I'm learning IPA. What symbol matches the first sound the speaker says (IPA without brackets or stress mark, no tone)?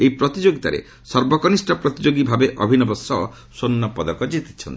e